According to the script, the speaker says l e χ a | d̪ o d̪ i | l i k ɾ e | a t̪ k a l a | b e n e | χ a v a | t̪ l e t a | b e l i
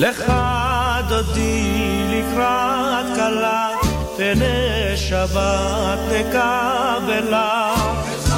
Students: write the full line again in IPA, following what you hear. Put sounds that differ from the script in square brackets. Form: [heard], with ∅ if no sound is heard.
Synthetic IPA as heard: l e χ a | d̪ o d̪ i | l i k ɾ [a] | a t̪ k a l a | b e n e | [ʃ] a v a | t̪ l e [k] a | b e l [a]